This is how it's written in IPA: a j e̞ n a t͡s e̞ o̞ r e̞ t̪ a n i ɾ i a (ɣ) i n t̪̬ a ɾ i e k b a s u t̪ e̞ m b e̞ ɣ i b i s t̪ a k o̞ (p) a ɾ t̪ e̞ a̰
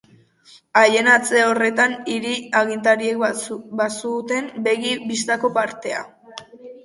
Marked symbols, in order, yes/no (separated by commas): yes, yes